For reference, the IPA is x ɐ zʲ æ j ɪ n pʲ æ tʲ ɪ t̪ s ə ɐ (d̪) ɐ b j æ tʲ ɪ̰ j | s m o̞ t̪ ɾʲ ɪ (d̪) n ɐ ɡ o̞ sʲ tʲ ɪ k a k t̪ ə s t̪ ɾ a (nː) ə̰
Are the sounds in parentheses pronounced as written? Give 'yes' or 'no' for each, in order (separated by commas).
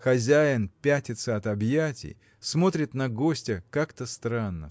no, no, yes